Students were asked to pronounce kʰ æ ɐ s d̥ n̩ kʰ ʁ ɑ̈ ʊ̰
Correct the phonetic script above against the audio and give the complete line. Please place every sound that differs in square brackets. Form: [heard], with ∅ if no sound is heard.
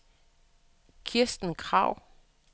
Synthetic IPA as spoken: kʰ [i] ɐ s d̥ n̩ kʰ ʁ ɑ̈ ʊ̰